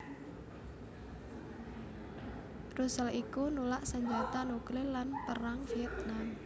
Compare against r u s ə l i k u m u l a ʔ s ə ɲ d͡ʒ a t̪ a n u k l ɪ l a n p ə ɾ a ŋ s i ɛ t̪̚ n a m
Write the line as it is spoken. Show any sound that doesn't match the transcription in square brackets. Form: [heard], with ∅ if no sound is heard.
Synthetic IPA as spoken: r u s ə l i k u [n] u l a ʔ s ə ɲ d͡ʒ a t̪ a n u k l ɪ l a n p ə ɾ a ŋ [f] i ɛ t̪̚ n a m